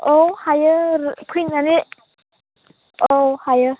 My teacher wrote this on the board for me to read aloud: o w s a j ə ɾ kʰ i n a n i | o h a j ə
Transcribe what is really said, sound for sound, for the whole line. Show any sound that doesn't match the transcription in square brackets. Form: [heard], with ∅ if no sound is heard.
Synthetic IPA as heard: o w [h] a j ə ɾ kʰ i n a n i | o h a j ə